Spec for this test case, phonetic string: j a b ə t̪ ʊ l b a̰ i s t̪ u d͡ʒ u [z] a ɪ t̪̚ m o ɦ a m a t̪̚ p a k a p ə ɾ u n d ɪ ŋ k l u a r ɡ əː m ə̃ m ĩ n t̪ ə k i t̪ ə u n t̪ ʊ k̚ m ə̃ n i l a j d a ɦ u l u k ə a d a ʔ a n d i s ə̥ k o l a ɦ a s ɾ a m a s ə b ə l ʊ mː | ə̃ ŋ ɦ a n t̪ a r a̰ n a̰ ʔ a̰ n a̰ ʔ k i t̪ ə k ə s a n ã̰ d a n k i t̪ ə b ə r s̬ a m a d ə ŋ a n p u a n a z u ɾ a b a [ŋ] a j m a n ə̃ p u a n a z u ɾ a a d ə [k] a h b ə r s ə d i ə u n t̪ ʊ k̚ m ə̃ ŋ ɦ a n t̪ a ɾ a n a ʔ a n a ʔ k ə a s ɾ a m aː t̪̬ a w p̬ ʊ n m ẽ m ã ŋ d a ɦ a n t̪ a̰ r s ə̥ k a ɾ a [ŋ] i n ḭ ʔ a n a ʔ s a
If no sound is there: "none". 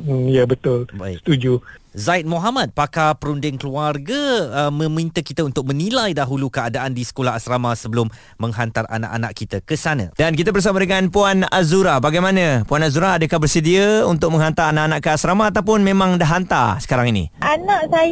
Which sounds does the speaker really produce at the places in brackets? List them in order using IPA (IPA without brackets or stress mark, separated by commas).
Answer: z, ɡ, k, ŋ